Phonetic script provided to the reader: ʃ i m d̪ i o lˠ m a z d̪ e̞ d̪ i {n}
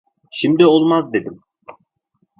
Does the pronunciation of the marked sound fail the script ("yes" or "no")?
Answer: yes